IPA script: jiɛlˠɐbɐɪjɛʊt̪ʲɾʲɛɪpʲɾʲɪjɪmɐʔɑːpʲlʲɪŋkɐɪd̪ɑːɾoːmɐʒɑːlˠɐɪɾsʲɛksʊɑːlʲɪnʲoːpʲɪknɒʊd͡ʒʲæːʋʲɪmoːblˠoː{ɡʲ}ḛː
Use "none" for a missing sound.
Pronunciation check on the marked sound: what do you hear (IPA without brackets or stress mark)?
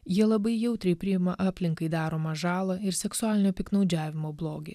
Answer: ɡʲ